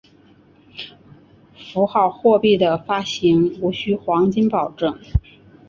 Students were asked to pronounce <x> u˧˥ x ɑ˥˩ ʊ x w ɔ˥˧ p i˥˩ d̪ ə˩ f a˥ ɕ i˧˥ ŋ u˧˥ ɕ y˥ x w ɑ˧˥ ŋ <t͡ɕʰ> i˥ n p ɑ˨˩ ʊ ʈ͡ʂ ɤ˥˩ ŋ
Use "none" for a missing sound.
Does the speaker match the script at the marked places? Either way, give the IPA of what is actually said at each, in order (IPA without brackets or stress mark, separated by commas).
f, t͡ɕ